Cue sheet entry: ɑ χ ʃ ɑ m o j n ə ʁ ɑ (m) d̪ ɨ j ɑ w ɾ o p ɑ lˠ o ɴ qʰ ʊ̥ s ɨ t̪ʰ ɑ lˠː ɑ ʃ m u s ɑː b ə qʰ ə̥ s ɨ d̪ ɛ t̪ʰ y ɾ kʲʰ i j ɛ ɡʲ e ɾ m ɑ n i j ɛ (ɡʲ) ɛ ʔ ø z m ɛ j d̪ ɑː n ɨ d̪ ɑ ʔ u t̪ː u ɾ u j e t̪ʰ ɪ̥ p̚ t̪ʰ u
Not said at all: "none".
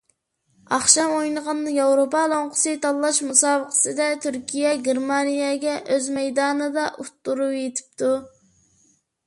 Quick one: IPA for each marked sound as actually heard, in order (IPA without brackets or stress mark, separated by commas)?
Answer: n, ɡʲ